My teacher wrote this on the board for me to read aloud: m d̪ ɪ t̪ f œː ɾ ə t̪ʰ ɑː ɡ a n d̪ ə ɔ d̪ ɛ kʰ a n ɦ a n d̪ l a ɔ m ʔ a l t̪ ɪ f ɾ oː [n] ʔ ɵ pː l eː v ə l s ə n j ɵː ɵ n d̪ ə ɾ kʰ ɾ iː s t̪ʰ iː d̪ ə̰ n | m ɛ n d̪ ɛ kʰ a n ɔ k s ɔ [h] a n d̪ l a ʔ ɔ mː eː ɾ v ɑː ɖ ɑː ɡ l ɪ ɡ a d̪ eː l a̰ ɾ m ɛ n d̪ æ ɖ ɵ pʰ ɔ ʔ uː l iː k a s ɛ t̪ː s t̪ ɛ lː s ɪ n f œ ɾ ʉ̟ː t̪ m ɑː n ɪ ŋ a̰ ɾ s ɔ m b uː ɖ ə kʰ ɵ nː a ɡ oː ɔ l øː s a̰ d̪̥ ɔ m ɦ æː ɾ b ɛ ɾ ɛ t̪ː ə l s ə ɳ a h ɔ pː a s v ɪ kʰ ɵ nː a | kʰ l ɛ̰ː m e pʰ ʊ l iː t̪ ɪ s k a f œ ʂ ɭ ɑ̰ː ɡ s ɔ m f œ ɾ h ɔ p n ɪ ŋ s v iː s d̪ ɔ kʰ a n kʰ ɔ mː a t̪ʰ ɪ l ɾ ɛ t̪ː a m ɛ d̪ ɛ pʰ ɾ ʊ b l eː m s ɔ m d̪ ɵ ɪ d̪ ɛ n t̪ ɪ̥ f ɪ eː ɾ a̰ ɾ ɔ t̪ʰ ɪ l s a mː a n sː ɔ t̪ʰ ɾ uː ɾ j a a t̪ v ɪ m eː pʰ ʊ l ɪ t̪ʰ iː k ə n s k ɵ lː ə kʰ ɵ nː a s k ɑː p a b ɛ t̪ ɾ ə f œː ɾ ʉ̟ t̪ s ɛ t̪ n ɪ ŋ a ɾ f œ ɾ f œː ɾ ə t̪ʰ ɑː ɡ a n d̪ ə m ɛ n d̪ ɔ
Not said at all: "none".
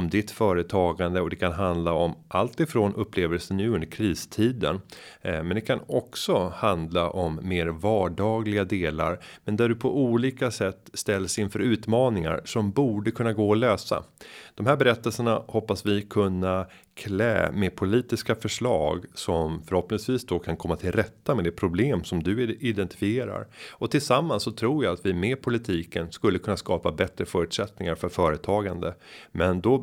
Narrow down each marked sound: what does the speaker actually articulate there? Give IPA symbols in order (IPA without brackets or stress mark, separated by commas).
n, h